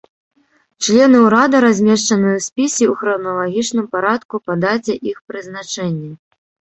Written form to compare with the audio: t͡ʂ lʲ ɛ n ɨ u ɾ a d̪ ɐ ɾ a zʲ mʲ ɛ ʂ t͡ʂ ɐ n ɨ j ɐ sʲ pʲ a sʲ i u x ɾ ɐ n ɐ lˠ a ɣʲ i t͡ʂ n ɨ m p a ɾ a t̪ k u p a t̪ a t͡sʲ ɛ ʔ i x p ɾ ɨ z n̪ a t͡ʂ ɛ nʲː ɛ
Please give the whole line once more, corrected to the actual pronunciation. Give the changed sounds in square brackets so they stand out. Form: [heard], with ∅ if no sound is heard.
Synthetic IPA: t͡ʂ lʲ ɛ n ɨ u ɾ a d̪ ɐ ɾ a zʲ mʲ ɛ ʂ t͡ʂ ɐ n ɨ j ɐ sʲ pʲ [i] sʲ i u x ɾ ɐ n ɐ lˠ a ɣʲ i t͡ʂ n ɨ m p a ɾ a t̪ k u p a [d̪] a t͡sʲ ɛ ʔ i x p ɾ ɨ z n̪ a t͡ʂ ɛ nʲː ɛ